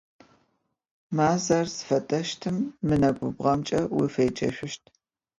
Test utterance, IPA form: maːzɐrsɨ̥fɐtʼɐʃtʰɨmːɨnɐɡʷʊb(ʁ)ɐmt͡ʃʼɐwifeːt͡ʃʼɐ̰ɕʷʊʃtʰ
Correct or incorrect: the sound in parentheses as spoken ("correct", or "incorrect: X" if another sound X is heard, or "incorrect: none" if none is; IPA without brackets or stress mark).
correct